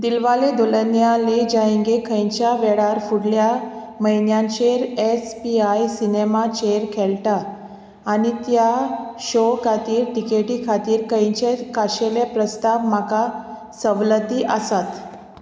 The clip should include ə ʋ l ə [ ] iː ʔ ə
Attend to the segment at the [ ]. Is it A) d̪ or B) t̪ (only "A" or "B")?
B